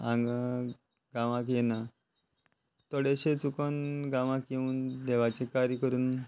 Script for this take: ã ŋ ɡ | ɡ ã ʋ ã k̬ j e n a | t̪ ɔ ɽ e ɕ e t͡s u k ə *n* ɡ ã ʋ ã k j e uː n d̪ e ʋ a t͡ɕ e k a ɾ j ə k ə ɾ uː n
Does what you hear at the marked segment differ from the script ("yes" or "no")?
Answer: no